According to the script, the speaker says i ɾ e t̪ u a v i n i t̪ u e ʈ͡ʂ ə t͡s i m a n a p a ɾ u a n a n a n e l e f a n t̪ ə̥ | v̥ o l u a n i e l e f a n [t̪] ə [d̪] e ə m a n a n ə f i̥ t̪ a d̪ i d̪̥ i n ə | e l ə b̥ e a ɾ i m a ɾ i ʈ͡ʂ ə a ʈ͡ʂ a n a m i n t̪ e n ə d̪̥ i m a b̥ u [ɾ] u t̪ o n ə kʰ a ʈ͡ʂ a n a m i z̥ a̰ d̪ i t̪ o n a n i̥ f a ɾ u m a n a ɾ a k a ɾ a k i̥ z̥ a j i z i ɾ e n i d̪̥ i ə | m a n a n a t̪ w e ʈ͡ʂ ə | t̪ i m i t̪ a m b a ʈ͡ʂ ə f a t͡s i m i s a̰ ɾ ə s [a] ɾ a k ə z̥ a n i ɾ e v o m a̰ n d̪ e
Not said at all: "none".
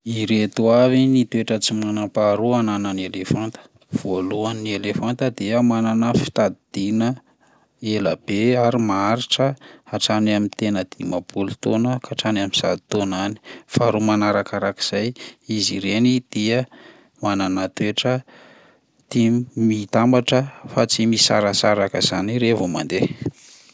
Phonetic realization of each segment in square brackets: t̪, d̪, l, a

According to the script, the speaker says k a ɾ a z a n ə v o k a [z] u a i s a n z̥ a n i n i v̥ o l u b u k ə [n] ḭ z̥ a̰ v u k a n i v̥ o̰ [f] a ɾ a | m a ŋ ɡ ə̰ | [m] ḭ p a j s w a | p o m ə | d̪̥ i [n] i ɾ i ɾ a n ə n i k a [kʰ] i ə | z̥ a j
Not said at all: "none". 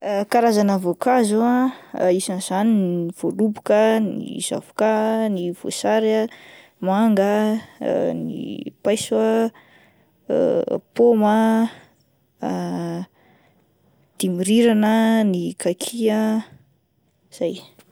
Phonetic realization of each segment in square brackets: z, n, s, n, m, kʰ

